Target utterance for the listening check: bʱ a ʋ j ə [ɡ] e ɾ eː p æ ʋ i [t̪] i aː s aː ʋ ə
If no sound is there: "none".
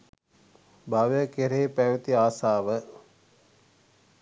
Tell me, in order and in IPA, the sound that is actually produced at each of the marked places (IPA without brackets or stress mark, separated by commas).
k, t̪